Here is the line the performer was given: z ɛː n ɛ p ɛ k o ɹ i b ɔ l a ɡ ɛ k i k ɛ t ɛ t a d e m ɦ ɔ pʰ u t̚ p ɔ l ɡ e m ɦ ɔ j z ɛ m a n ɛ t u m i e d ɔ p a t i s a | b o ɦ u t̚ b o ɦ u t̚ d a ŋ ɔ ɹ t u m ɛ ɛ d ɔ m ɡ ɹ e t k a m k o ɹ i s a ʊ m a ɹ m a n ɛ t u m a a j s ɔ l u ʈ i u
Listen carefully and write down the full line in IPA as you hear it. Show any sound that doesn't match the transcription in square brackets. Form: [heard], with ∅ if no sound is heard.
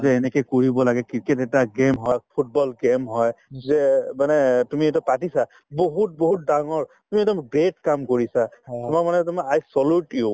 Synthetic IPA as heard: z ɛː n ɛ [k] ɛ k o ɹ i b ɔ l a ɡ ɛ k i k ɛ t ɛ t a [ɡ] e m ɦ ɔ pʰ u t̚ [b] ɔ l ɡ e m ɦ ɔ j z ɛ m a n ɛ t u m i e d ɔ p a t i s a | b o ɦ u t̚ b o ɦ u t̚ d a ŋ ɔ ɹ t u m [i] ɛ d ɔ m ɡ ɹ e t k a m k o ɹ i s a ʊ m a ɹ m a n ɛ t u m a a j s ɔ l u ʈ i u